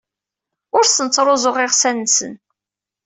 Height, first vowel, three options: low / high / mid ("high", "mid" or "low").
high